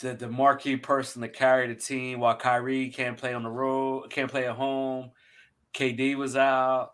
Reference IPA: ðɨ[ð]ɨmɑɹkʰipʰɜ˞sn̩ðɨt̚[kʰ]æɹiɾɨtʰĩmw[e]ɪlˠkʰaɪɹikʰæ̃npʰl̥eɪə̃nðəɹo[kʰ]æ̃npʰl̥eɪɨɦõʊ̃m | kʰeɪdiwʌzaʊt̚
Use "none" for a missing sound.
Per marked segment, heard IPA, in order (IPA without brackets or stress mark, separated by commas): ð, kʰ, a, kʰ